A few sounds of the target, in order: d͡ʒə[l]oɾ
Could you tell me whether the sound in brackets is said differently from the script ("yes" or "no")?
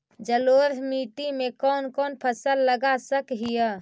no